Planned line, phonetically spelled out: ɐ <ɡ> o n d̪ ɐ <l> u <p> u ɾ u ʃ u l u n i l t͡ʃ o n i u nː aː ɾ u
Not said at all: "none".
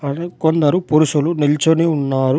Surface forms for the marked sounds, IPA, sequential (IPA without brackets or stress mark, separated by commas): k, ɾ, p